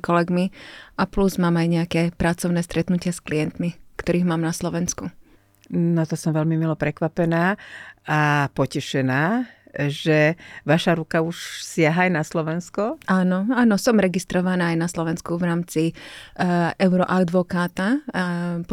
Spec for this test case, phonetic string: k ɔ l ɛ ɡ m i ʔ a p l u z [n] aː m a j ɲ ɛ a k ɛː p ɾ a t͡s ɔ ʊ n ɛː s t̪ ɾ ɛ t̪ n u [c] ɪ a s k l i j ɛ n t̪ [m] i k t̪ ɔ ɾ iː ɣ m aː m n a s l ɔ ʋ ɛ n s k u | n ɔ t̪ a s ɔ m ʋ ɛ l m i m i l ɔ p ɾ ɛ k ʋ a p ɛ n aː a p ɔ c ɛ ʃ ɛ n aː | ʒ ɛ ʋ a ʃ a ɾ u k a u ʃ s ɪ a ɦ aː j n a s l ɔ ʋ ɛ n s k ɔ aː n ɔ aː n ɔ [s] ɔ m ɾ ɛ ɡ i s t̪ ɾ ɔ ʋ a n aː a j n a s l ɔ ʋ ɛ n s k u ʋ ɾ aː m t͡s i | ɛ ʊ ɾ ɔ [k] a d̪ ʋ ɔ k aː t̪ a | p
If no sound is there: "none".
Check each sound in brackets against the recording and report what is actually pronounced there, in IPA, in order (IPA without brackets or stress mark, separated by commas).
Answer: m, c, m, s, ʔ